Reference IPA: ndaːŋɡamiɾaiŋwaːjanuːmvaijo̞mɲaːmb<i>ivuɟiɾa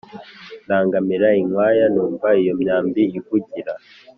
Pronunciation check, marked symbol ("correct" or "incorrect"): correct